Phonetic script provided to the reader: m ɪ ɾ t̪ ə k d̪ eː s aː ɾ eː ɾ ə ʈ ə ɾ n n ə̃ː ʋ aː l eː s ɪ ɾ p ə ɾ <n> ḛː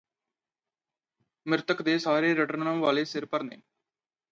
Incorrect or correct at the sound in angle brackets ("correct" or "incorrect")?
correct